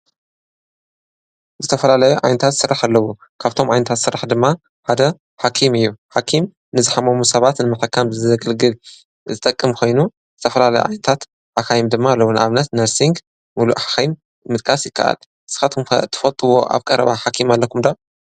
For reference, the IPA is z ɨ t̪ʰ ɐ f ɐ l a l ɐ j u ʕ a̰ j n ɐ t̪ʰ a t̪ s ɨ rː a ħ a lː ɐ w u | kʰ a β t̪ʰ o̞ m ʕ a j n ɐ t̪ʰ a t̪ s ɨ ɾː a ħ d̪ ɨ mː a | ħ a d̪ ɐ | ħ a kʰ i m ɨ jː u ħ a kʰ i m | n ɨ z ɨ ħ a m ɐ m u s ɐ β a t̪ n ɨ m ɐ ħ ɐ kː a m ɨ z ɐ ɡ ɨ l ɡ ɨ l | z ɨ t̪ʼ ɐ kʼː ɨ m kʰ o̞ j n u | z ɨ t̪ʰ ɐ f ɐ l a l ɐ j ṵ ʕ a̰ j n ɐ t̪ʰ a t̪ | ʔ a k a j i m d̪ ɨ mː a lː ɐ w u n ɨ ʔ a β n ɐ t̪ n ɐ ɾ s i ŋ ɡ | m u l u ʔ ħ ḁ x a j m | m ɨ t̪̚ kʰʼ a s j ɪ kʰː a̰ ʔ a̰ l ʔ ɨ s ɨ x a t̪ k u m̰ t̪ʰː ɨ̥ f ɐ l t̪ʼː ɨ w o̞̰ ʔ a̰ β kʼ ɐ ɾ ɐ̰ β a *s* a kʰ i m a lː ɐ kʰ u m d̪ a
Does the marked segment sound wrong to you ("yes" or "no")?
yes